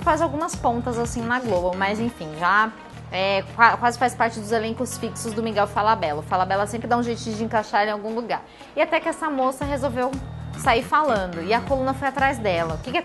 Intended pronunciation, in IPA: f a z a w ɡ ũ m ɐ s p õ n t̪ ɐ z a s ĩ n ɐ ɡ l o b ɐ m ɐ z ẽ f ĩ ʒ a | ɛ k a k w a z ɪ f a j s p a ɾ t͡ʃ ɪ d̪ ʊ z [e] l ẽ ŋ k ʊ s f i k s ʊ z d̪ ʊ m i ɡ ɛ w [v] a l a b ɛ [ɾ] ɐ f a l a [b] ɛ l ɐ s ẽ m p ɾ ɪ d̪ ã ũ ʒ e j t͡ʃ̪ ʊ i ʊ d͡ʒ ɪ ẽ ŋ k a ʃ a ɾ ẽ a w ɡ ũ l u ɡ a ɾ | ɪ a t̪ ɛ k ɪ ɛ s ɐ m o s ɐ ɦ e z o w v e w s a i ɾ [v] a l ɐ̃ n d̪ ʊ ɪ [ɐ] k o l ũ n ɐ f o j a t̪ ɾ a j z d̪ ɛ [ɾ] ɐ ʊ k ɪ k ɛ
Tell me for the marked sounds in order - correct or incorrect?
correct, incorrect, incorrect, correct, incorrect, correct, incorrect

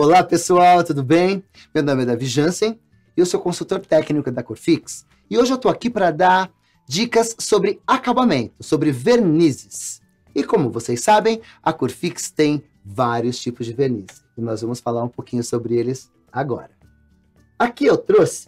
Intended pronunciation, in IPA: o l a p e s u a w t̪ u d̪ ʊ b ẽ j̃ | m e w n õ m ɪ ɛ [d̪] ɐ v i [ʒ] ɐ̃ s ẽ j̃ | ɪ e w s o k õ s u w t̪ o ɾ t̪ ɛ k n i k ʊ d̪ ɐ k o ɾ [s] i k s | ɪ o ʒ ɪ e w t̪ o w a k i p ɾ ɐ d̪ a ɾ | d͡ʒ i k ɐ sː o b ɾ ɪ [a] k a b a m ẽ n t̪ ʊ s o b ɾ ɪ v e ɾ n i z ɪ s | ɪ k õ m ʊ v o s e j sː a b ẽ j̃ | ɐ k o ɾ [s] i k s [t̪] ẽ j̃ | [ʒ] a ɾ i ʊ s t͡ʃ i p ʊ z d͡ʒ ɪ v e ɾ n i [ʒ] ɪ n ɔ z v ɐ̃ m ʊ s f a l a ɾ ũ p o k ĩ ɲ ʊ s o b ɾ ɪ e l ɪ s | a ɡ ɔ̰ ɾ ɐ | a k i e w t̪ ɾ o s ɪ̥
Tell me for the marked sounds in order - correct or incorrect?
correct, correct, incorrect, correct, incorrect, correct, incorrect, incorrect

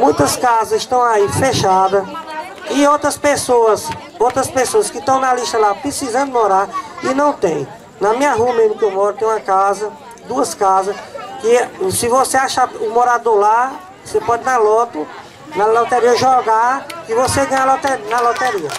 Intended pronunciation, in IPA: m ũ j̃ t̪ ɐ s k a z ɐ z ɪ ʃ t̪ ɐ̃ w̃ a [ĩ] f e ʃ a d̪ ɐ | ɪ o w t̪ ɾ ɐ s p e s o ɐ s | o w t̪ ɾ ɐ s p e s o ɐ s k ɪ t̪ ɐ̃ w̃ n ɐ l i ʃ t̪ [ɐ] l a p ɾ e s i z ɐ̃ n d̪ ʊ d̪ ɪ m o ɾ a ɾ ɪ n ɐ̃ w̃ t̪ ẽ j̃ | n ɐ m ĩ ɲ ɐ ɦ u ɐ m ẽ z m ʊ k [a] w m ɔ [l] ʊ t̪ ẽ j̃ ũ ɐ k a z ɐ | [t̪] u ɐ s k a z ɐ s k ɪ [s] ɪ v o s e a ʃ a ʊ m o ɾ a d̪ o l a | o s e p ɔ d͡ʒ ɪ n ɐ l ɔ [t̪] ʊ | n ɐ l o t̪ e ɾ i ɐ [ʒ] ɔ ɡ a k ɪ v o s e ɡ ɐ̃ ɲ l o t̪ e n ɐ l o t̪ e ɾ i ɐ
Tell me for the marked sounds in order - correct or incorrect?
incorrect, correct, incorrect, incorrect, incorrect, correct, correct, correct

